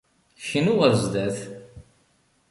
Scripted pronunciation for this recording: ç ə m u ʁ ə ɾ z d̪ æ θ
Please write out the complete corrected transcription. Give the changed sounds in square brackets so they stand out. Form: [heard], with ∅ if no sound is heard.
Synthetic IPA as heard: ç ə [n] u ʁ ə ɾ z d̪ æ θ